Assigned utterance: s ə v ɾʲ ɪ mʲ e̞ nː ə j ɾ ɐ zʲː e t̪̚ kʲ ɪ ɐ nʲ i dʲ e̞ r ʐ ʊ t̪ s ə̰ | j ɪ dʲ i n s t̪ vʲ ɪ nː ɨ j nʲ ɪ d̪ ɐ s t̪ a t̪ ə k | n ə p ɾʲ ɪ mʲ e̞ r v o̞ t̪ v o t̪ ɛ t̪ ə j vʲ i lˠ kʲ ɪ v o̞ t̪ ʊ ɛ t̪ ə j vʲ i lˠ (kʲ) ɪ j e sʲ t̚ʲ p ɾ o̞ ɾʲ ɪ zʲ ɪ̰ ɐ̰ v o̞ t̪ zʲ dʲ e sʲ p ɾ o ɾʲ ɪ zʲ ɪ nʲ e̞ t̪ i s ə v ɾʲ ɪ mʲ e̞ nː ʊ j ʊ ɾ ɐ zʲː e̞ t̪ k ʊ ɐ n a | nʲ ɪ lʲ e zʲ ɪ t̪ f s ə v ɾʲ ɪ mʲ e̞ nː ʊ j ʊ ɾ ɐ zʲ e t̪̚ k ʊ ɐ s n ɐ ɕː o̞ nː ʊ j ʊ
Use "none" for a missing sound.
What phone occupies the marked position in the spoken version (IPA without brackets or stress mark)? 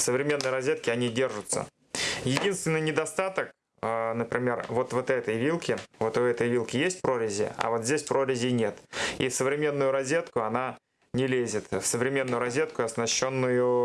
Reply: kʲ